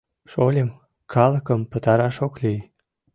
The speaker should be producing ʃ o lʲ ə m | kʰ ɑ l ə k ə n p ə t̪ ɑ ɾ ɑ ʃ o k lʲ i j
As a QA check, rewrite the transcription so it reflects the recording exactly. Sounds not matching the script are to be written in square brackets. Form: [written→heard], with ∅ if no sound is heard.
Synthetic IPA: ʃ o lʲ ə m | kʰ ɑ l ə k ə [n→m] p ə t̪ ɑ ɾ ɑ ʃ o k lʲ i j